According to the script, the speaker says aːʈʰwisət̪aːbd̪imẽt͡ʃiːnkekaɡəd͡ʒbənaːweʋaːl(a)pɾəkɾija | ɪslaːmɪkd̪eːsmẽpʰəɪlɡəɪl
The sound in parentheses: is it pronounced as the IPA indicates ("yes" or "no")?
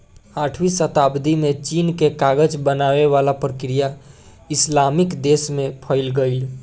yes